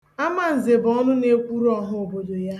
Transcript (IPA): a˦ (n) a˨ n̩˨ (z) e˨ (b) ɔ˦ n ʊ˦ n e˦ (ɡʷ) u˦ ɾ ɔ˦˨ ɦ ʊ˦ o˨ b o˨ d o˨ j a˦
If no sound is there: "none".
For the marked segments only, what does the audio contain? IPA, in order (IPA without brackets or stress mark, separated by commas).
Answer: m, z, b, kʷ